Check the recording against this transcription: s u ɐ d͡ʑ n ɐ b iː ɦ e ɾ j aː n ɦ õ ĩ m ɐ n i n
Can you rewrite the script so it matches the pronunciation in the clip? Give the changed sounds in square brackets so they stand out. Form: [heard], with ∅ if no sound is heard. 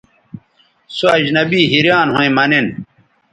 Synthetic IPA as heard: s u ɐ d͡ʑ n ɐ b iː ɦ [i] ɾ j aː n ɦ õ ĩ m ɐ n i n

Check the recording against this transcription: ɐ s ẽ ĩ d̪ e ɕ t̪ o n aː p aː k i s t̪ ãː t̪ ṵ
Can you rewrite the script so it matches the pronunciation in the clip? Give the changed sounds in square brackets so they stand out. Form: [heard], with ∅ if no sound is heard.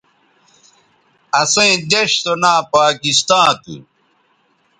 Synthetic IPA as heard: ɐ s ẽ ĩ d̪ e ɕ t̪ o n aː p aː k i s t̪ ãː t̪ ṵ

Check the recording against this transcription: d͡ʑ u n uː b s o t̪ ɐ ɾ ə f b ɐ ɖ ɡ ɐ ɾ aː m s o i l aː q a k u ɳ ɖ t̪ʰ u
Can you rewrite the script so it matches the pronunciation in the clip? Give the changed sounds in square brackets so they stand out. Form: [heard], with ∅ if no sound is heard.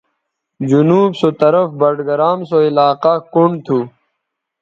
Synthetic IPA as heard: d͡ʑ u n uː b s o t̪ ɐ ɾ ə f b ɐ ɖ ɡ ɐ ɾ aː m s o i l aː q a k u ɳ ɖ t̪ʰ u

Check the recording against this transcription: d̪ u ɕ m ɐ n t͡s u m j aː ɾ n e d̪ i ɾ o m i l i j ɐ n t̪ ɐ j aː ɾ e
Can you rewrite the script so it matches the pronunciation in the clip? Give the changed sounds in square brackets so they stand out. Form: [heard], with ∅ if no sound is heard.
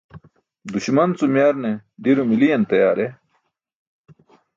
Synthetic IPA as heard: d̪ u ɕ m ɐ n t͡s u m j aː ɾ n e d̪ i ɾ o m i l i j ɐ n t̪ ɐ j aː ɾ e

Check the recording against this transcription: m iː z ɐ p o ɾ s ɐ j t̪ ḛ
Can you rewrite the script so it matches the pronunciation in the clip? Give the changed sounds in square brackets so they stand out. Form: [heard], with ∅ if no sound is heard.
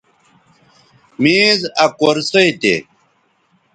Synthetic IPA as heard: m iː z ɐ [k] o ɾ s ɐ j t̪ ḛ

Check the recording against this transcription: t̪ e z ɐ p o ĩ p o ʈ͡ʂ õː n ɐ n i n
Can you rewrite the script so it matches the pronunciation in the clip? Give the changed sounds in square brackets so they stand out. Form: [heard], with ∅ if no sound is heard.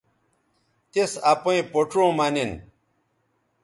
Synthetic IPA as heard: t̪ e [s] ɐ p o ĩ p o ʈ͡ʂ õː [m] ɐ n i n

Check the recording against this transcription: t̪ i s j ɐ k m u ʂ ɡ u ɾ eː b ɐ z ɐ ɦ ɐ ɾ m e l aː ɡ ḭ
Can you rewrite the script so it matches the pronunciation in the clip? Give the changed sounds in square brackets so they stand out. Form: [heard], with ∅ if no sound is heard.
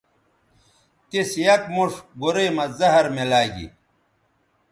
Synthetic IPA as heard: t̪ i s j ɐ k m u ʂ ɡ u ɾ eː [m] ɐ z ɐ ɦ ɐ ɾ m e l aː ɡ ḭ

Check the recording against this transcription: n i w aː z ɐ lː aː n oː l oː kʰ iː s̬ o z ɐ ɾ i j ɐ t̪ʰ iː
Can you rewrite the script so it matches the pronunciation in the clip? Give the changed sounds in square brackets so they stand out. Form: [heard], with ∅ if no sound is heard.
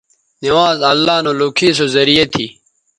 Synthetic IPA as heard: n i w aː z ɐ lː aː n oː l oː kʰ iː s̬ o z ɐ ɾ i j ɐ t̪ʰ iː

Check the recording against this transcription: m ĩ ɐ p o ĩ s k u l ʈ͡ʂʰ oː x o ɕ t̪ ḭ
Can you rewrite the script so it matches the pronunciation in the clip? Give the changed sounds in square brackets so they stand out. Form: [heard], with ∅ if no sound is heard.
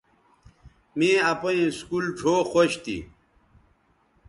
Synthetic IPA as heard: m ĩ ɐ p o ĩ s k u l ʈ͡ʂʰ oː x o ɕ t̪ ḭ

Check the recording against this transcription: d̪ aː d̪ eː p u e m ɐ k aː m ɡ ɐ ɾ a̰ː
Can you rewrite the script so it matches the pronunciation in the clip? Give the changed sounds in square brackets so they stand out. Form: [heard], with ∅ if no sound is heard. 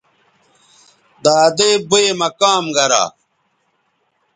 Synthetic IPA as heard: d̪ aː d̪ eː [b] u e m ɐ k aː m ɡ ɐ ɾ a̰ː

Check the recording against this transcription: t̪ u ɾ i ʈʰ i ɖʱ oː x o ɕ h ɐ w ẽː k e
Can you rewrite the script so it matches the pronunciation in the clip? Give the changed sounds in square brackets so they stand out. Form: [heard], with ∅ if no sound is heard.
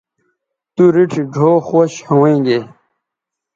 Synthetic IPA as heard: t̪ u ɾ i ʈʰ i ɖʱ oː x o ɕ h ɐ w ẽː [ɡ] e

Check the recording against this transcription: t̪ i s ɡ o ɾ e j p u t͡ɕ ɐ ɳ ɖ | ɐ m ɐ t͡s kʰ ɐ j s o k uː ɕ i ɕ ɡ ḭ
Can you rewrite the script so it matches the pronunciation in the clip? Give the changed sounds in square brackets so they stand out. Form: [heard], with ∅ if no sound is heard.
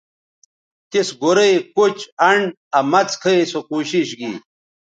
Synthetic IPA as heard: t̪ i s ɡ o ɾ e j [k] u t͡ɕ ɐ ɳ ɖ | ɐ m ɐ t͡s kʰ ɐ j s o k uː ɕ i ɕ ɡ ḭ

